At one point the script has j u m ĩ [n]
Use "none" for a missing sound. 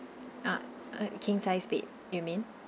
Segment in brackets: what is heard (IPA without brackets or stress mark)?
n